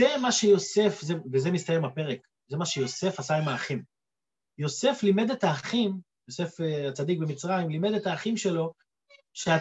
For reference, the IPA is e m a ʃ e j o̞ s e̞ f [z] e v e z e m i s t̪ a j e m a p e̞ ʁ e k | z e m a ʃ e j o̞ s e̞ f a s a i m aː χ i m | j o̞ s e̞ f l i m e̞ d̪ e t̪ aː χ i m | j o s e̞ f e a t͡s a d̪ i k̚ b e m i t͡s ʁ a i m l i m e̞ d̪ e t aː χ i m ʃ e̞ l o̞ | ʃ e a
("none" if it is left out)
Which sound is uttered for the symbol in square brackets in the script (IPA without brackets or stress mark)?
z